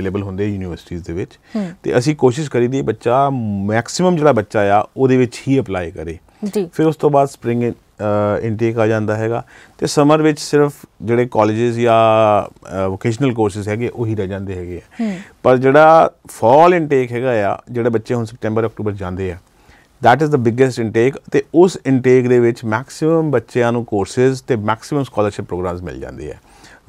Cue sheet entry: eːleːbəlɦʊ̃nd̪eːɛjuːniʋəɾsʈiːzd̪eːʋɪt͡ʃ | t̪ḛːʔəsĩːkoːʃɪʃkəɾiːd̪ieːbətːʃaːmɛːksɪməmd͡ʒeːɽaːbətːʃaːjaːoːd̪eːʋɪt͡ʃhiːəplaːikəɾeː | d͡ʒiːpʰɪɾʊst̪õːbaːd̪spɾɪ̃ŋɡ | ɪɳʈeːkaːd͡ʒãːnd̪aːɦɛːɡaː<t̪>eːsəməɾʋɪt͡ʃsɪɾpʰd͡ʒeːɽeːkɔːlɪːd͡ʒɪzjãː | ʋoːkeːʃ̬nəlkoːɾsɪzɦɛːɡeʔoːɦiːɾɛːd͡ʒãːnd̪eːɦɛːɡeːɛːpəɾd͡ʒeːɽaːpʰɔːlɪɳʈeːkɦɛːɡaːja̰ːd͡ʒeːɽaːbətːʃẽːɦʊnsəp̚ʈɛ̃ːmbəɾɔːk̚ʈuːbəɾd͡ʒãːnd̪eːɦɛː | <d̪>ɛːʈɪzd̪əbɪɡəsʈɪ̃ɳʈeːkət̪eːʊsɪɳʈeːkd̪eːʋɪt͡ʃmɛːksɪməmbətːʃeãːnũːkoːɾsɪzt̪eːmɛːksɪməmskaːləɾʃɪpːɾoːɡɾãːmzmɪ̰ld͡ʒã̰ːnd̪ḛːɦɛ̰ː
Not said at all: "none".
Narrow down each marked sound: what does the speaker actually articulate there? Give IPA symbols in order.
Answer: t̪, d̪

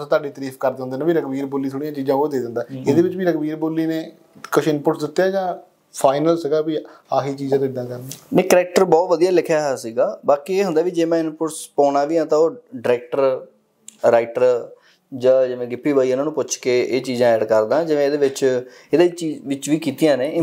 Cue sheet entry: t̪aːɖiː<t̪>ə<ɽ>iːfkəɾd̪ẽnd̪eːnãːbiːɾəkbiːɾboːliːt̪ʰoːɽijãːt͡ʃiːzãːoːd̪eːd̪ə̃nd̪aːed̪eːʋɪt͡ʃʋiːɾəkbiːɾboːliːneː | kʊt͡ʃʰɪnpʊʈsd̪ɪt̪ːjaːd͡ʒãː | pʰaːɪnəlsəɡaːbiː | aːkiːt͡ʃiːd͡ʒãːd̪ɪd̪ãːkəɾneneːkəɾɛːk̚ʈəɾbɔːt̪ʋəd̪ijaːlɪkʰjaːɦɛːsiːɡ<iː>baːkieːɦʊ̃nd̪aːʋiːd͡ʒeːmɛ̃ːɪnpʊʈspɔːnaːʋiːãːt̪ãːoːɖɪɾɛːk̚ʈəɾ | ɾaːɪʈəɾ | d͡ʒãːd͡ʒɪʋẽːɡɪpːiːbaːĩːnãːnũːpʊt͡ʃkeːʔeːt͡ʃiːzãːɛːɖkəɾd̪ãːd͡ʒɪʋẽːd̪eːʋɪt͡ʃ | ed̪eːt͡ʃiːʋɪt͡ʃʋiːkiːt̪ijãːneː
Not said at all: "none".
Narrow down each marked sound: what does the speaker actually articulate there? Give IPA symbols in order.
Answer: t̪, ɾ, aː

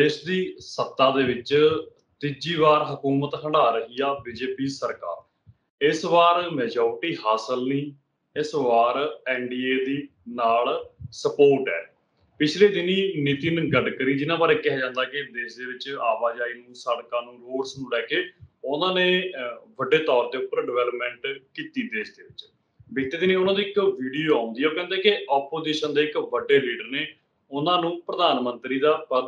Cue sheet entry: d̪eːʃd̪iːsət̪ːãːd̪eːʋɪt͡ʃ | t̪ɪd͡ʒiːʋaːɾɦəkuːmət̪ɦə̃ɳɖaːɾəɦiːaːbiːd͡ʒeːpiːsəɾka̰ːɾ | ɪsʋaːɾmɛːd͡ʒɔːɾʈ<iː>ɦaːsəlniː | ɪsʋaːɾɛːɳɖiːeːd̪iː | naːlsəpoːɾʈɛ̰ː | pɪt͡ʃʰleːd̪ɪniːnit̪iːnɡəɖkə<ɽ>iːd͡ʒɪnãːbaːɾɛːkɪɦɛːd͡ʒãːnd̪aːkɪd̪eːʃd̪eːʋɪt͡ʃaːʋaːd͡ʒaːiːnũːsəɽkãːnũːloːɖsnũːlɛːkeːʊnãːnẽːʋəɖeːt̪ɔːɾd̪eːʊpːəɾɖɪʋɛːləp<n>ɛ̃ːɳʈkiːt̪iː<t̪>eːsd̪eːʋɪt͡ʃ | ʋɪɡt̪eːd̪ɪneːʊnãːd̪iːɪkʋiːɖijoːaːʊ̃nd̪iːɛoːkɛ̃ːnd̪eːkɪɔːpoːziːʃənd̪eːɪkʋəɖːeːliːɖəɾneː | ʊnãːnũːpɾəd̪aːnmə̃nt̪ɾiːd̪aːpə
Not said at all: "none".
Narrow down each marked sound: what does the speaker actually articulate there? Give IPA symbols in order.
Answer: iː, ɾ, m, d̪

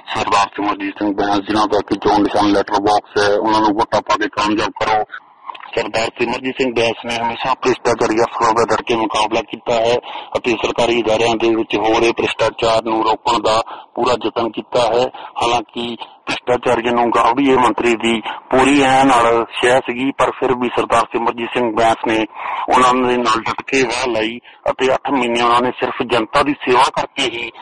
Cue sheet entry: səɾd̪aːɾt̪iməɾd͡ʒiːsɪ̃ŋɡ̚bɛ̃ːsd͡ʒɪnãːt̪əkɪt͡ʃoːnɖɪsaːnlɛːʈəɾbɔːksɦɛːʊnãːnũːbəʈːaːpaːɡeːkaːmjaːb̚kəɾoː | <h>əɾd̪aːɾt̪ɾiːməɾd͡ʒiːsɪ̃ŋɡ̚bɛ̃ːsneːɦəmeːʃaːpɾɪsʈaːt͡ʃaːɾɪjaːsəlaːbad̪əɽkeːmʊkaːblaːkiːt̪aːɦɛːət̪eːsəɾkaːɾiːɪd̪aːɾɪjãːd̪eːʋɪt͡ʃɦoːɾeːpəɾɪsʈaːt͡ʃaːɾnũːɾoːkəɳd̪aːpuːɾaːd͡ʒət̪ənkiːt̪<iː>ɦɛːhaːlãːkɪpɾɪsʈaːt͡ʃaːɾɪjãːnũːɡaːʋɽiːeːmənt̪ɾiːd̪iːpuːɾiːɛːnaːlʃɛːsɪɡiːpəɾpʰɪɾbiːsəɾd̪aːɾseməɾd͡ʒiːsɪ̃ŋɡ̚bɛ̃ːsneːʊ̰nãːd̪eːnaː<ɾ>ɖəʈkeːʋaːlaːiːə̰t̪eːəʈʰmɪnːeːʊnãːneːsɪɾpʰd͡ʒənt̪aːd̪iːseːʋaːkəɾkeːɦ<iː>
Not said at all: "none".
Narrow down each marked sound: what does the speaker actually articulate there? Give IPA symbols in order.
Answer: s, aː, l, iː

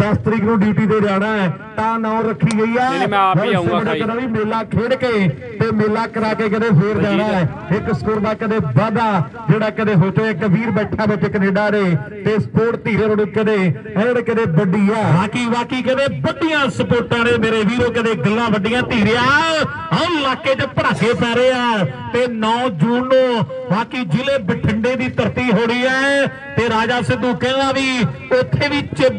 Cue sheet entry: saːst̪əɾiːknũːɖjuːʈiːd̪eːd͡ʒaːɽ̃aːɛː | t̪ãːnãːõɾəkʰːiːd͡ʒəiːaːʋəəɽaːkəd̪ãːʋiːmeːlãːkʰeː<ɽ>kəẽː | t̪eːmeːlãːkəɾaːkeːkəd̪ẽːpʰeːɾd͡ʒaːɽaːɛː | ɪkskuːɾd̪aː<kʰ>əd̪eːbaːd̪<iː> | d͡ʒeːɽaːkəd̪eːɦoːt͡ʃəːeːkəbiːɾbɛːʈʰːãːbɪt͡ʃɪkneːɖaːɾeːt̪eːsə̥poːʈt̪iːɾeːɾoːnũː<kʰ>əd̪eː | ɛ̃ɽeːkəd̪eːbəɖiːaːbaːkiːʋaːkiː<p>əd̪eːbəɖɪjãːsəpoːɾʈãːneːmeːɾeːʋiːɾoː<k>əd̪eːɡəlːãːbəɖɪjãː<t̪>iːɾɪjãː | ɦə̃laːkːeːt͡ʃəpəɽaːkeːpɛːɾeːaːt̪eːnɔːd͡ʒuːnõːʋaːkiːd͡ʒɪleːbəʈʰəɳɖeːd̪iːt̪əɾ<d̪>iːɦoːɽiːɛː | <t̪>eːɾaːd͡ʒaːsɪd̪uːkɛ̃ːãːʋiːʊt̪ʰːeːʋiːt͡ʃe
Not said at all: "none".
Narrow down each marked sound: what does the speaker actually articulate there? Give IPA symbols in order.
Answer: ɽ, k, aː, k, k, k, t̪, t̪, t̪

